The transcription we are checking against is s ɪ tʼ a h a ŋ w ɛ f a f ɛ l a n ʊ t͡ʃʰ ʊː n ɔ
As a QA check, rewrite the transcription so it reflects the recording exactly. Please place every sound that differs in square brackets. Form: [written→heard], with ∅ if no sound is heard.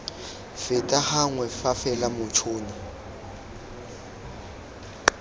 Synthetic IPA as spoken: [s→f] ɪ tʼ a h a ŋ w ɛ f a f ɛ l a [n→m] ʊ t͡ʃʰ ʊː n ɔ

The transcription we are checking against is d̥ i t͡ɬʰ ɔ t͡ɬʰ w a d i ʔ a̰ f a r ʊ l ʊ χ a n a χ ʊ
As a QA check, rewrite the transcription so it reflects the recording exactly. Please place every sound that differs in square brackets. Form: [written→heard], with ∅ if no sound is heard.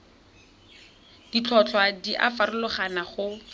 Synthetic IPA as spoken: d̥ i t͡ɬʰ ɔ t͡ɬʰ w a d i ʔ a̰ f a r ʊ l ʊ χ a n a χ ʊ

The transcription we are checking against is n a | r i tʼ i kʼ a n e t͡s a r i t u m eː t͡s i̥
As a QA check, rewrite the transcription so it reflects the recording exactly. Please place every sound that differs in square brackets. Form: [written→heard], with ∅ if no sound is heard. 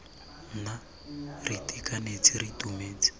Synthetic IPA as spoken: n a | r i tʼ i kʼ a n e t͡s [a→i] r i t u m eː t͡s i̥

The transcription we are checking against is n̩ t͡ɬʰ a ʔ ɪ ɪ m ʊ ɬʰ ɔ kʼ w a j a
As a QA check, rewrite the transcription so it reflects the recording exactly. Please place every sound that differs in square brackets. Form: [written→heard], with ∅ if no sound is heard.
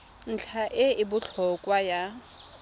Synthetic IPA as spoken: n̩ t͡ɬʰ a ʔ ɪ ɪ [m→b] ʊ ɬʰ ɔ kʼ w a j a

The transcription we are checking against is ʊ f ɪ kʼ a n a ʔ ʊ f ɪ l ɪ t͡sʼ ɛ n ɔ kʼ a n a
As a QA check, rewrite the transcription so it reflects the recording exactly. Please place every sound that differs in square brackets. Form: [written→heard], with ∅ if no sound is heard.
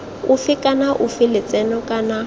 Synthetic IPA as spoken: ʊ f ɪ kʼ a n a ʔ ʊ f ɪ l ɪ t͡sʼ ɛ n ɔ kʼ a n a

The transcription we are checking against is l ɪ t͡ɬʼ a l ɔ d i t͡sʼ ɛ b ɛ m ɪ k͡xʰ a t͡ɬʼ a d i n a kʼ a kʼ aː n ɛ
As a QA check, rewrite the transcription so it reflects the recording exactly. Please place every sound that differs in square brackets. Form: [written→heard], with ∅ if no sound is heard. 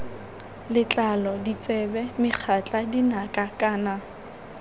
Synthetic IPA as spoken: l ɪ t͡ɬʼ a l ɔ d i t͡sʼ ɛ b ɛ m ɪ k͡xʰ a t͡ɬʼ a d i n a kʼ a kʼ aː n [ɛ→a]

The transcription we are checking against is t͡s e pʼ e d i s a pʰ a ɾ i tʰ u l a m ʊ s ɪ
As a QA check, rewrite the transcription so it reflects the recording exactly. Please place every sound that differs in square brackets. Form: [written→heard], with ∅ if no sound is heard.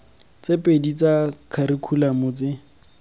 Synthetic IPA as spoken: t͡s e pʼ e d i [s→t͡s] a [pʰ→kʰ] a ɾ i [tʰ→kʰ] u l a m ʊ [s→t͡s] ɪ

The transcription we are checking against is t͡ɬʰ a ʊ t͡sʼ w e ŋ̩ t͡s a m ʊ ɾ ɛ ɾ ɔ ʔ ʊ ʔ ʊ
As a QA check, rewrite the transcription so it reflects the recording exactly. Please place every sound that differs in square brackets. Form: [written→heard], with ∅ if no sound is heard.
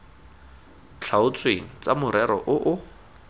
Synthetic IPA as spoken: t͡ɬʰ a ʊ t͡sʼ w e ŋ̩ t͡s a m ʊ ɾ ɛ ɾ ɔ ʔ ʊ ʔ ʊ

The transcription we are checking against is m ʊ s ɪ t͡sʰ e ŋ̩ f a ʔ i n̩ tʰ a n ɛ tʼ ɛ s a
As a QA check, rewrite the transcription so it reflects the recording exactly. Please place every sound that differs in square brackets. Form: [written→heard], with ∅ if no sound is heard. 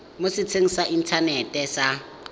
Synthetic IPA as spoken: m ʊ s ɪ t͡sʰ e ŋ̩ [f→s] a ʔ i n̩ tʰ a n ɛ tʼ ɛ s a

